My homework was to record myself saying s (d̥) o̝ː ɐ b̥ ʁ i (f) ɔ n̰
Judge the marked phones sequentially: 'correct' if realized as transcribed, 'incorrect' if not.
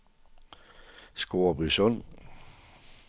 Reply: incorrect, incorrect

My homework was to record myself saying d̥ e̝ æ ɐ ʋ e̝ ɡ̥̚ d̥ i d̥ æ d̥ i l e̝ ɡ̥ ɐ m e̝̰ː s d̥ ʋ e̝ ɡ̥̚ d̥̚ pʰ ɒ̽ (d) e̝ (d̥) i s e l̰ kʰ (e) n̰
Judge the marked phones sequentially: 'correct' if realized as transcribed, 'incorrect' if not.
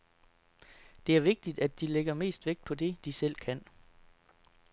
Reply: correct, correct, incorrect

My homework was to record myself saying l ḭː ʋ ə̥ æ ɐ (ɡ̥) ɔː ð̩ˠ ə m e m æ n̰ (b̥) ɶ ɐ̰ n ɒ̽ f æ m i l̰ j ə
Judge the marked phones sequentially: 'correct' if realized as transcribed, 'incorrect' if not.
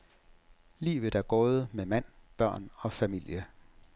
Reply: correct, correct

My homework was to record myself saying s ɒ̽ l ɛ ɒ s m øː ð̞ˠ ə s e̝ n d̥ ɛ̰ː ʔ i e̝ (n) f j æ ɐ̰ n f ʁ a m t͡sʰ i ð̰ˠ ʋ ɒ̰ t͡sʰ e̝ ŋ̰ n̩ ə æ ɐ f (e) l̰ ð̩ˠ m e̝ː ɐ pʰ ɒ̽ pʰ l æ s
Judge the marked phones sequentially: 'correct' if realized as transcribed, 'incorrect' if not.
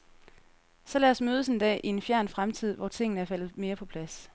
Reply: correct, incorrect

